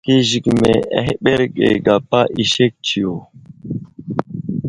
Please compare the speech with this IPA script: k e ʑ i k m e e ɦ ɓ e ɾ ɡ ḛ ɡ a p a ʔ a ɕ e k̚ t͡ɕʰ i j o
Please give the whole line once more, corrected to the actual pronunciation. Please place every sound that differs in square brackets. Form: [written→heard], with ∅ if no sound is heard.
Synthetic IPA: k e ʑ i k m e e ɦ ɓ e ɾ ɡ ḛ ɡ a p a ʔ [a→i] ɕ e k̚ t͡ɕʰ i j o